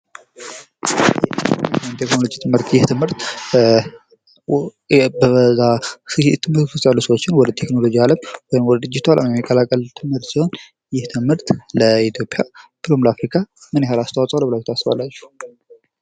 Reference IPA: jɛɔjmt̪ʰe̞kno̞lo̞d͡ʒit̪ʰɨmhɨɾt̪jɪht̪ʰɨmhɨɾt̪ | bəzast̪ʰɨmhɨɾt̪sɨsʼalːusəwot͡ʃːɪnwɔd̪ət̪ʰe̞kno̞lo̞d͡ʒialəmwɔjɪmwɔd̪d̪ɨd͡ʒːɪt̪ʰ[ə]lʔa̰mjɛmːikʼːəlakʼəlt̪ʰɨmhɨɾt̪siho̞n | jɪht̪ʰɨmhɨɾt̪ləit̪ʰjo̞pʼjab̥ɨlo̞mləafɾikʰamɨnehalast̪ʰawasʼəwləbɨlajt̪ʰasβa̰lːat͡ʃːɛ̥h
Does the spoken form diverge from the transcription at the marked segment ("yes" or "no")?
yes